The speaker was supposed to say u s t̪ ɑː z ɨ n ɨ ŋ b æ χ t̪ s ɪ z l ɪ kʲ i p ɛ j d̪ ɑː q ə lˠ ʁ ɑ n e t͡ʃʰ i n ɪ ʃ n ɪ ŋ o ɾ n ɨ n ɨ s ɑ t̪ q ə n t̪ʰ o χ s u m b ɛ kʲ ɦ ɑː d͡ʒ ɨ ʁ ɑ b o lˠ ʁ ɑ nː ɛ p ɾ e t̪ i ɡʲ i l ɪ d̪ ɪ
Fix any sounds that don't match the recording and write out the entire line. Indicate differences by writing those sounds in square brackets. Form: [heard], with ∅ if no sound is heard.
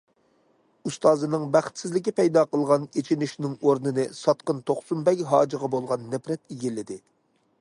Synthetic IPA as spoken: u s t̪ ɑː z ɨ n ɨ ŋ b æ χ t̪ s ɪ z l ɪ kʲ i p ɛ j d̪ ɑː q ə lˠ ʁ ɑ n e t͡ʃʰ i n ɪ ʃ n ɪ ŋ o ɾ n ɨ n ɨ s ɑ t̪ q ə n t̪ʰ o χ s u m b ɛ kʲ ɦ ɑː d͡ʒ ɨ ʁ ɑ b o lˠ ʁ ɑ nː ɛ p ɾ [ɛ] t̪ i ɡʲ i l ɪ d̪ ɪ